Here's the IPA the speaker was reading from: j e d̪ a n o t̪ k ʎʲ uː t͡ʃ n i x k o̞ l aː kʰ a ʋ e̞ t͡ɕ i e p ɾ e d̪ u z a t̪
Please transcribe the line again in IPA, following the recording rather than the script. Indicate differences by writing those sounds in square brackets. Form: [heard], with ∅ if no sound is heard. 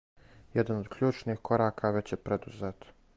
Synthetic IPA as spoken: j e d̪ a n o [d̪] k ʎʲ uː t͡ʃ n i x k o̞ [ɾ] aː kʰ a ʋ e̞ t͡ɕ [j] e p ɾ e d̪ u z [e] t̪